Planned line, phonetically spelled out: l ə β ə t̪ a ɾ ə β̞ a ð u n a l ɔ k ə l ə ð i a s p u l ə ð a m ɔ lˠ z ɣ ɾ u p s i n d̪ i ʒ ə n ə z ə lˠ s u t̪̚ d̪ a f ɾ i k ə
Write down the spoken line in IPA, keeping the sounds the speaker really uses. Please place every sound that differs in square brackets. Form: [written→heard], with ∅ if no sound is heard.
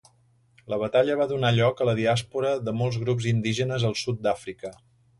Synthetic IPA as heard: l ə β ə t̪ a [ɾ→ʎ] ə β̞ a ð u n a [l→ʎ] ɔ k ə l ə ð i a s p u [l→ɾ] ə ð [a→ə] m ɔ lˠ z ɣ ɾ u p [s→z] i n d̪ i ʒ ə n ə z ə lˠ s u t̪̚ d̪ a f ɾ i k ə